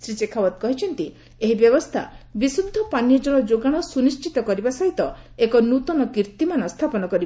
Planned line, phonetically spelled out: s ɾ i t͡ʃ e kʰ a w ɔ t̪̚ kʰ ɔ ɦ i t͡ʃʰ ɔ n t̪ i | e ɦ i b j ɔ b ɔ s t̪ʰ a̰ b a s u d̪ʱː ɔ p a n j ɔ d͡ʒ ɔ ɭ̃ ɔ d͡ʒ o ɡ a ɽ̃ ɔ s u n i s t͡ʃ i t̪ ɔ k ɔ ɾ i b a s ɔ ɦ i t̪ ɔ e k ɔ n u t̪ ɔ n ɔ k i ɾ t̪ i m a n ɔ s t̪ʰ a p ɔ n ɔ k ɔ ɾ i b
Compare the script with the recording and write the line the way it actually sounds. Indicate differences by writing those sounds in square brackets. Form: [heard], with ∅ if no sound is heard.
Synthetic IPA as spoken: s ɾ i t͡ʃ e kʰ a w ɔ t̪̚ [k] ɔ ɦ i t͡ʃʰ ɔ n t̪ i | e ɦ i b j ɔ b ɔ s t̪ʰ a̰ b [i] s u d̪ʱː ɔ p a n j ɔ d͡ʒ ɔ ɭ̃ ɔ d͡ʒ o ɡ a ɽ̃ ɔ s u n i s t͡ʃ i t̪ ɔ k ɔ ɾ i b a s ɔ ɦ i t̪ ɔ e k ɔ n u t̪ ɔ n ɔ k i ɾ t̪ i m a n ɔ s t̪ʰ a p ɔ n ɔ k ɔ ɾ i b